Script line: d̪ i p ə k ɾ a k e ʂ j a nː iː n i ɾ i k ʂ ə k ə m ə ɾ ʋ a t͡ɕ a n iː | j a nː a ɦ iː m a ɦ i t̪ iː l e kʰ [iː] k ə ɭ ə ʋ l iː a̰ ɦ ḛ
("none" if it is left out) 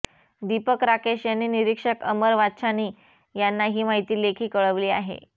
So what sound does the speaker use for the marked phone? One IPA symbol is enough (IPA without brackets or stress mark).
iː